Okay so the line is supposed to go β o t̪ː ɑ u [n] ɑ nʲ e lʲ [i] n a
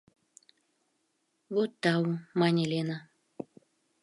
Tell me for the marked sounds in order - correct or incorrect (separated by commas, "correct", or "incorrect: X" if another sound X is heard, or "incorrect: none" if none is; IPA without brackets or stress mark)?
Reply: incorrect: m, incorrect: e